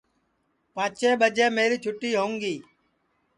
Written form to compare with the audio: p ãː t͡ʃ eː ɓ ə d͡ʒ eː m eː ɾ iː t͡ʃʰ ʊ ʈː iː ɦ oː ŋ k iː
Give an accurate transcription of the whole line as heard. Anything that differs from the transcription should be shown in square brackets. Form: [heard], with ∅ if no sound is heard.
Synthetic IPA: p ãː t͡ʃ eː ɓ ə d͡ʒ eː m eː ɾ iː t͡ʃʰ ʊ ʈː iː ɦ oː ŋ [ɡ] iː